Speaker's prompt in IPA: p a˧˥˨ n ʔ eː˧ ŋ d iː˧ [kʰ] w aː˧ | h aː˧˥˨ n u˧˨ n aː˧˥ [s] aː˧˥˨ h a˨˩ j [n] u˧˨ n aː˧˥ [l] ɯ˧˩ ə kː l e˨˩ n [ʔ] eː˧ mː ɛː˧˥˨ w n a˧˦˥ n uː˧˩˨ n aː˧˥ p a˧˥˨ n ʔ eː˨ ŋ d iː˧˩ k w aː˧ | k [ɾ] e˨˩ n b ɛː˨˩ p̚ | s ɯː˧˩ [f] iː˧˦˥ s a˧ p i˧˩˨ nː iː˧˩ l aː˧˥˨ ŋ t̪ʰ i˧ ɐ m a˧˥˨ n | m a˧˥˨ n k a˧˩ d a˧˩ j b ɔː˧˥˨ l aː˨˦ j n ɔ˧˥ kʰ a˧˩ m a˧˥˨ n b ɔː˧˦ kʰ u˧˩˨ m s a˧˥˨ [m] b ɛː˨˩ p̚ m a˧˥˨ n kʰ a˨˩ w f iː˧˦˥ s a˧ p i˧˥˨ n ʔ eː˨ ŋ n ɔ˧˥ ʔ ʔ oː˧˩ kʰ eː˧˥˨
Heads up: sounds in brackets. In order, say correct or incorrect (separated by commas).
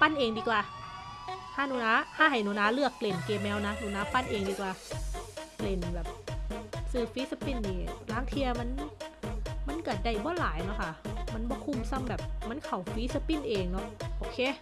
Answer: incorrect, incorrect, correct, correct, incorrect, incorrect, correct, correct